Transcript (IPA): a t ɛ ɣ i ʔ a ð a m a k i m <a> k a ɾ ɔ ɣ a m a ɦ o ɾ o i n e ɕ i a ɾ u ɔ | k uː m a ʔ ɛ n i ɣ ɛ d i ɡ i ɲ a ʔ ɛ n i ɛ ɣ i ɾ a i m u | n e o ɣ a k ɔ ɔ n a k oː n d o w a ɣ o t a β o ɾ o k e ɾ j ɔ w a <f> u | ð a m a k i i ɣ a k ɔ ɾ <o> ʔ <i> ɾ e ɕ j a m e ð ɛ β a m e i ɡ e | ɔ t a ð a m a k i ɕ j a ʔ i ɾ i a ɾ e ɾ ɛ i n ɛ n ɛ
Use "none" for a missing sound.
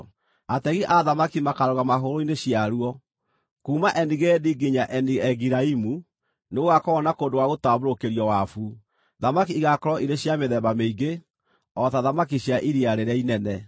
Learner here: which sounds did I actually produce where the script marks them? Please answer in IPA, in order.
a, f, ɔ, i

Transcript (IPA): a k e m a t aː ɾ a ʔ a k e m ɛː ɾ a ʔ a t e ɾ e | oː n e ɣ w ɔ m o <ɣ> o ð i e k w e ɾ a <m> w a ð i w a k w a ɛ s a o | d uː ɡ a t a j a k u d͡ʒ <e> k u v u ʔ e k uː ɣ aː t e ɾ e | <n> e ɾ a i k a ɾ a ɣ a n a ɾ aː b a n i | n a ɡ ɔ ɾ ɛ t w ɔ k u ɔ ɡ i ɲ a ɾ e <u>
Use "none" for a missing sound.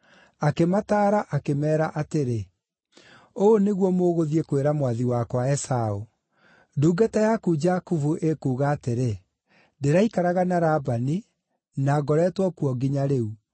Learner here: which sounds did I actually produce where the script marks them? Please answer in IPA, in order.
ɣ, m, a, d, u

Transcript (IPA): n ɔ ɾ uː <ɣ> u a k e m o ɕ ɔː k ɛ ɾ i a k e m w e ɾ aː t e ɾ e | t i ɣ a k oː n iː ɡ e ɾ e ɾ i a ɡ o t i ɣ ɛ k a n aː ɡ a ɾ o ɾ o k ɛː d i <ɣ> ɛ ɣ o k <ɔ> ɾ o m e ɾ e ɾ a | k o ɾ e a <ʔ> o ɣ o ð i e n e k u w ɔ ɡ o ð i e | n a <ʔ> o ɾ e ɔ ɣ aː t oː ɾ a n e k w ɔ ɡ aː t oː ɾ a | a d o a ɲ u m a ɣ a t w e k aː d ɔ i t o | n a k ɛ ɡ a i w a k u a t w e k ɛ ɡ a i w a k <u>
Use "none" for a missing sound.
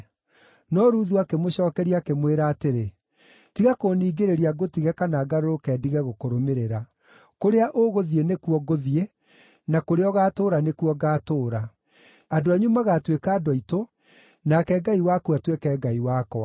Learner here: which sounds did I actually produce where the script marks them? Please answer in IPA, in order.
ð, ɣ, o, ʔ, k, ɔ

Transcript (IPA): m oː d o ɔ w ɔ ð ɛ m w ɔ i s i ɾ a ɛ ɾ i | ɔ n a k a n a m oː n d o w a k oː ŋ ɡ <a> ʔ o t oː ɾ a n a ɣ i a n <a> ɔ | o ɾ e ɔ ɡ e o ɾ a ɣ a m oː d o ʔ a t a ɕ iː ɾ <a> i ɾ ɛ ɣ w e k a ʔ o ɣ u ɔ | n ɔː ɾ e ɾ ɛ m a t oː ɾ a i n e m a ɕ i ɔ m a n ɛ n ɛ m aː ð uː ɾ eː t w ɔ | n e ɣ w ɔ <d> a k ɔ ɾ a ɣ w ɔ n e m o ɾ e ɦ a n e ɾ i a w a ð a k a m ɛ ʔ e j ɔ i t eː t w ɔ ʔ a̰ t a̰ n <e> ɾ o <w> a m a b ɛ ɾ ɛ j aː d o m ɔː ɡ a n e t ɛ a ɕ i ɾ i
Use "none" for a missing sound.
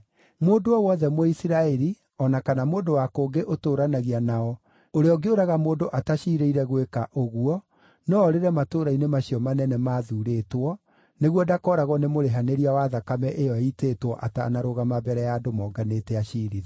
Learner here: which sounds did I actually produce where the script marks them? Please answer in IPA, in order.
e, a, e, d, a, ɣ

